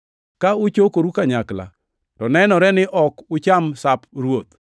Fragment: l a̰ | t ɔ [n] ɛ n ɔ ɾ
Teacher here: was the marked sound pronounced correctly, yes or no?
yes